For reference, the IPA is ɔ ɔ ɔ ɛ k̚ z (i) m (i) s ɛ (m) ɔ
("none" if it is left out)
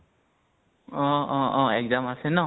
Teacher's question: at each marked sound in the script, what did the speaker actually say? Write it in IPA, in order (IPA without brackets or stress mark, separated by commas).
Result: a, a, n